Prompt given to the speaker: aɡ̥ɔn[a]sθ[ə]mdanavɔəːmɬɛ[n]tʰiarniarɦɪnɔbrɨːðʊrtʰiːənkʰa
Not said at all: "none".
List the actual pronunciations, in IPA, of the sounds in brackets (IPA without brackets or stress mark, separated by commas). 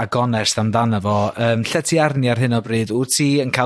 ɛ, a, none